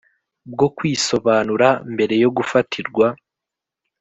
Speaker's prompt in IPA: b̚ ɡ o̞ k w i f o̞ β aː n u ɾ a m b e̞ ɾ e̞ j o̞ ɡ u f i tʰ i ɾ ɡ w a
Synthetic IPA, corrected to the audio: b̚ ɡ o̞ k w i s o̞ β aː n u ɾ a m b e̞ ɾ e̞ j o̞ ɡ u f a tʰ i ɾ ɡ w a